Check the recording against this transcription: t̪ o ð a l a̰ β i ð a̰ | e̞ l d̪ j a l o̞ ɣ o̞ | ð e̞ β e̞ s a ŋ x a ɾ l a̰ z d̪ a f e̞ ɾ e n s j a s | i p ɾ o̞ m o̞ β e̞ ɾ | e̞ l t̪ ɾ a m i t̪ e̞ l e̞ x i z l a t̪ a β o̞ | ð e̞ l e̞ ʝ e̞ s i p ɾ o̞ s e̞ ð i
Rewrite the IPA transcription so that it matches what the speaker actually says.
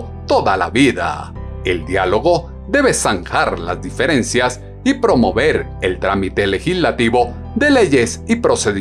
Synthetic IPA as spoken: t̪ o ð a l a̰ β i ð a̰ | e̞ l d̪ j a l o̞ ɣ o̞ | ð e̞ β e̞ s a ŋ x a ɾ l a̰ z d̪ i f e̞ ɾ e n s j a s | i p ɾ o̞ m o̞ β e̞ ɾ | e̞ l t̪ ɾ a m i t̪ e̞ l e̞ x i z l a t̪ i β o̞ | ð e̞ l e̞ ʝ e̞ s i p ɾ o̞ s e̞ ð i